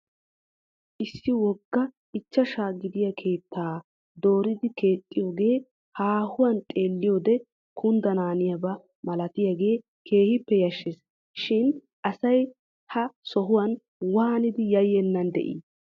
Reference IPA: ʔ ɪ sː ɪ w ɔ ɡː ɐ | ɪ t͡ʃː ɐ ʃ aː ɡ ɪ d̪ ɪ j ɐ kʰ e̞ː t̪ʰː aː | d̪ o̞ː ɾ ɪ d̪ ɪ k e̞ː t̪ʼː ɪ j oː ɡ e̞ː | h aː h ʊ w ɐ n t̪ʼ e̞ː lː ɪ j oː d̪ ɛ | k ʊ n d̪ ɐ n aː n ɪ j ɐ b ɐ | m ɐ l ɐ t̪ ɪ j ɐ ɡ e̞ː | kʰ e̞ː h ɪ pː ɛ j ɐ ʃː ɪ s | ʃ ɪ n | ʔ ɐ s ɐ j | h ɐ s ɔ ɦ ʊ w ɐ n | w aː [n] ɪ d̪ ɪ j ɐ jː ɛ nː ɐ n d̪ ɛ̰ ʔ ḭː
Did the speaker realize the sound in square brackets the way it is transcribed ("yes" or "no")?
yes